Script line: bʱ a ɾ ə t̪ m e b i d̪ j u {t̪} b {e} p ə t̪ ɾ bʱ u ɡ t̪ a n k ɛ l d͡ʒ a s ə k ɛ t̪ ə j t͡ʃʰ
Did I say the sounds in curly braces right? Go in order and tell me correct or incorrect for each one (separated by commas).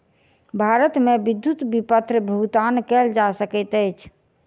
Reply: correct, incorrect